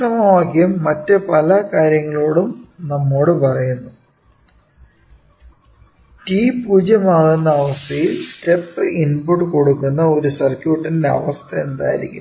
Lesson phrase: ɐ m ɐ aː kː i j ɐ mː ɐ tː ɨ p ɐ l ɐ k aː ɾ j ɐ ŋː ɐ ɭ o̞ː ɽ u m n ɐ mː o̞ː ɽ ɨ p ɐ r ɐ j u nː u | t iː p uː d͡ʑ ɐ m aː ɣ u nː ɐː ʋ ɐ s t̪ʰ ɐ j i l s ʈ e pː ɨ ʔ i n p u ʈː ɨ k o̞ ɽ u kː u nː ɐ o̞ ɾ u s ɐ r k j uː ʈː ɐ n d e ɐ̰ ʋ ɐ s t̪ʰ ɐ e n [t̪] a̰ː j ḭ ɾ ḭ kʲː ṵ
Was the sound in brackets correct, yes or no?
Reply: no